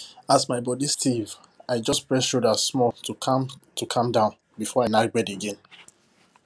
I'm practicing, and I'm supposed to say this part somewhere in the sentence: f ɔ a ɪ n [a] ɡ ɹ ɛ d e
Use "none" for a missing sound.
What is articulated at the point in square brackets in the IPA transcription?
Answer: a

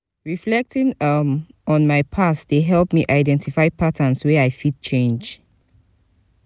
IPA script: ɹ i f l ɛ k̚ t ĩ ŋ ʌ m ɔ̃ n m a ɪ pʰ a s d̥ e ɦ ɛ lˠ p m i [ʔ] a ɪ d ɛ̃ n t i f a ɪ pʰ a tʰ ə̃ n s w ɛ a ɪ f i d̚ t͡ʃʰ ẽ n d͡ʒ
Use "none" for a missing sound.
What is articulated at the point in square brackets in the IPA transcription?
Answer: ʔ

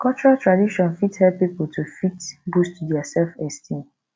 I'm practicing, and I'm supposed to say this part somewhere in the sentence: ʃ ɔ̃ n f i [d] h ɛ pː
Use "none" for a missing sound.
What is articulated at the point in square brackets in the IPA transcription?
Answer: t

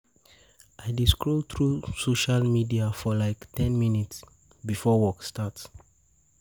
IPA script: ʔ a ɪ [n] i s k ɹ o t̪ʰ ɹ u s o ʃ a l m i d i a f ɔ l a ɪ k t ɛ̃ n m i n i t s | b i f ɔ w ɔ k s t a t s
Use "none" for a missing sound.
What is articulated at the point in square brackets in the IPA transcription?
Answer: d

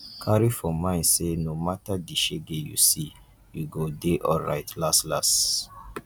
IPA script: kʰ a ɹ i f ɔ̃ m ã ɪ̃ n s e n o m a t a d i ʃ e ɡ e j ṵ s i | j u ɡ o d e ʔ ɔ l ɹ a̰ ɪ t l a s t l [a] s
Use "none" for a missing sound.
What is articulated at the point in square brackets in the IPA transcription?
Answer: a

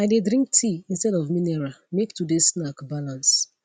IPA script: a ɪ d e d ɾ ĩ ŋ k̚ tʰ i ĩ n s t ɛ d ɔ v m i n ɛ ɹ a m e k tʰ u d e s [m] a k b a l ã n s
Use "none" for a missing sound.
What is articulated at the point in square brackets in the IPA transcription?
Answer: n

